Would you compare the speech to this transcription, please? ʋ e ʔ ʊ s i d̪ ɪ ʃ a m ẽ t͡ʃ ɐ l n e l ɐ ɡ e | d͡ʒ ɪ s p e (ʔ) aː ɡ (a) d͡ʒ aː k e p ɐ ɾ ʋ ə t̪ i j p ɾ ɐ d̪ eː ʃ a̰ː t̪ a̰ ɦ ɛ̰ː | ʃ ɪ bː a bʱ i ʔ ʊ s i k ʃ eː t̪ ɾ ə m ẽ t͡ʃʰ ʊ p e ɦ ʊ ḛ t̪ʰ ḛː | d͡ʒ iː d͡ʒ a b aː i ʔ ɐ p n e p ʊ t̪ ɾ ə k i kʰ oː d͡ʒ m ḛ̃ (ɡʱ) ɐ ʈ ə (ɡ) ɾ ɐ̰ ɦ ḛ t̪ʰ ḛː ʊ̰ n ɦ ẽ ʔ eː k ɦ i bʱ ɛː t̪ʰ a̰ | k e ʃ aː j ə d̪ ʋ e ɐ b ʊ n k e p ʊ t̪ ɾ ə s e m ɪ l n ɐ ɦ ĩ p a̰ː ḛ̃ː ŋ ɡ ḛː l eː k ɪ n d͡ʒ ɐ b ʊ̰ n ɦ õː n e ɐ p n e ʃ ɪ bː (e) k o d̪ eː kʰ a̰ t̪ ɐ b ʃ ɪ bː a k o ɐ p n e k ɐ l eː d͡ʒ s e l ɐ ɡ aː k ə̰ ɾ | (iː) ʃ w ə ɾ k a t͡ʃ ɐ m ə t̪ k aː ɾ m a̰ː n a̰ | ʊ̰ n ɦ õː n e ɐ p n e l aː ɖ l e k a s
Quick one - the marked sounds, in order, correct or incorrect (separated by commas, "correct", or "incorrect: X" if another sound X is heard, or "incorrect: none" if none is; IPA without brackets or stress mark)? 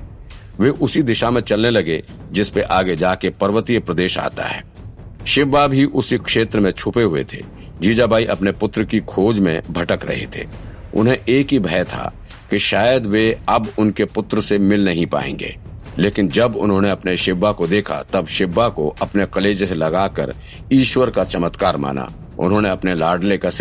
correct, incorrect: e, incorrect: bʱ, incorrect: k, incorrect: a, correct